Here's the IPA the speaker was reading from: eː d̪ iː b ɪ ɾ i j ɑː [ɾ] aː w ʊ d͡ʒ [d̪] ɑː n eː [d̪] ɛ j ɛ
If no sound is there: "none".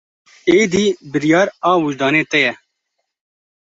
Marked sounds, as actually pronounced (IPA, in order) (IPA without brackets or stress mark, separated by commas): ɾ, d̪, t̪